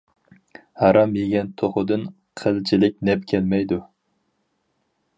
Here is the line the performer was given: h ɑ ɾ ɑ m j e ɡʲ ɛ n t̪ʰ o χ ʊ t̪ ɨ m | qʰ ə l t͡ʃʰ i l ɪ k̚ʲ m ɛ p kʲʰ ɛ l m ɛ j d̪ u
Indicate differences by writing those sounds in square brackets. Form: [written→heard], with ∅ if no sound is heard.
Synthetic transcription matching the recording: h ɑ ɾ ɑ m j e ɡʲ ɛ n t̪ʰ o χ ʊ [t̪→d̪] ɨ [m→n] | qʰ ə l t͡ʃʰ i l ɪ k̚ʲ [m→n] ɛ p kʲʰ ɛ l m ɛ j d̪ u